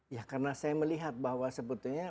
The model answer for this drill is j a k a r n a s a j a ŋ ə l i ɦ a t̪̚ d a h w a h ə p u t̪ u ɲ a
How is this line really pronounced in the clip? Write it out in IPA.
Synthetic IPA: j a k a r n a s a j a m ə l i ɦ a t̪̚ b a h w a s ə p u t̪ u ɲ a